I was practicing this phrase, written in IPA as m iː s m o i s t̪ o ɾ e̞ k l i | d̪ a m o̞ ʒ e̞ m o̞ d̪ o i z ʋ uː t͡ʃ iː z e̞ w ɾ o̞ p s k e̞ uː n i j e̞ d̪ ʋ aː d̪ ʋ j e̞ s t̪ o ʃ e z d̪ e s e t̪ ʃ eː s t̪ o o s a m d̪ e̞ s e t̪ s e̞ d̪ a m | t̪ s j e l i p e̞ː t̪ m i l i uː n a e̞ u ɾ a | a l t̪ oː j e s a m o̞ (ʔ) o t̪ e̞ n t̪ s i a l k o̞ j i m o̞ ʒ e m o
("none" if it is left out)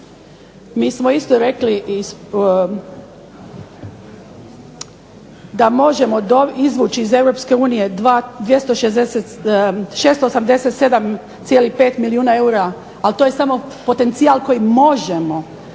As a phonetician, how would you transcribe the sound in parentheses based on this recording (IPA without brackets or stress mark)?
p